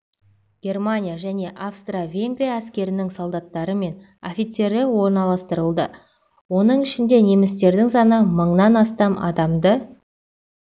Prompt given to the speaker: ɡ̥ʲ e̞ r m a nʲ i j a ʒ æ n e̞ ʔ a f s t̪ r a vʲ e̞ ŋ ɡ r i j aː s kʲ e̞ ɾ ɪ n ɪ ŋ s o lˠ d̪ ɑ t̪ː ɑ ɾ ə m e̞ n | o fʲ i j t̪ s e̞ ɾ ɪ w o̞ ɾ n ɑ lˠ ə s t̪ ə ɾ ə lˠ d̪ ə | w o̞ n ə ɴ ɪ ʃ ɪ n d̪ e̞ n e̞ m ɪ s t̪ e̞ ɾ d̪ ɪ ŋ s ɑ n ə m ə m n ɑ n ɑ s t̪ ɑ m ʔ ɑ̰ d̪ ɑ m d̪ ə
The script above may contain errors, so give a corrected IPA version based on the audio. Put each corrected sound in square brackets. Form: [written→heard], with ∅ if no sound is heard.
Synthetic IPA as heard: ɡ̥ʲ e̞ r m a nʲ i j a ʒ æ n e̞ ʔ a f s t̪ r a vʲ e̞ ŋ ɡ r i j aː s kʲ e̞ ɾ ɪ n ɪ ŋ s o lˠ d̪ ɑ t̪ː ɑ ɾ ə m e̞ n | o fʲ i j t̪ s e̞ ɾ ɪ w o̞ ɾ n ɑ lˠ [ə→ɑ] s t̪ ə ɾ ə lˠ d̪ ə | w o̞ n ə ɴ ɪ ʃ ɪ n d̪ e̞ n e̞ m ɪ s t̪ e̞ ɾ d̪ ɪ ŋ s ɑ n ə m ə [m→ɴ] n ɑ n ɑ s t̪ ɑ m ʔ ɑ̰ d̪ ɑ m d̪ ə